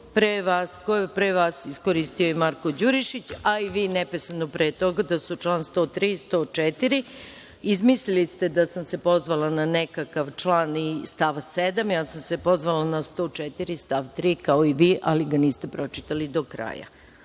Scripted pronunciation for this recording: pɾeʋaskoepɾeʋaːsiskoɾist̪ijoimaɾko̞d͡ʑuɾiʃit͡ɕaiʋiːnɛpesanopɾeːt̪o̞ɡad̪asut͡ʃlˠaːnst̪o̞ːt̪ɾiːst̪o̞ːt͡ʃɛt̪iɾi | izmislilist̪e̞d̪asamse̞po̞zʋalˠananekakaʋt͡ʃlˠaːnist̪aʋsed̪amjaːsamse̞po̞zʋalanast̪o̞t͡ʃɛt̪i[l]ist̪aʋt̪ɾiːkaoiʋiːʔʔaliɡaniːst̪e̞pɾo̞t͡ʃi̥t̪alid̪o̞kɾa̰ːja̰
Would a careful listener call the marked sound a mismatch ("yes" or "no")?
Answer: yes